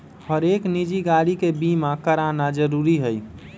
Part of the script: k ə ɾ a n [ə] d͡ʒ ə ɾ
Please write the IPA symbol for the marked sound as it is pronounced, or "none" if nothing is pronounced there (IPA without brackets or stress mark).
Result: a